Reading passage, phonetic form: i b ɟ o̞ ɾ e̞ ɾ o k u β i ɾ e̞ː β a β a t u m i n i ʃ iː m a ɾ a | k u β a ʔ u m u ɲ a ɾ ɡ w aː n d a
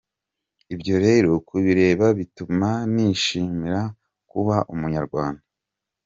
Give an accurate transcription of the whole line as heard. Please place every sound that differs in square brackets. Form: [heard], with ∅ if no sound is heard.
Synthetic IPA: i b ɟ o̞ ɾ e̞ ɾ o k u β i ɾ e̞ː β a β [i] t u m [a] n i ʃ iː m [i] ɾ a | k u β a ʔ u m u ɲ a ɾ ɡ w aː n d a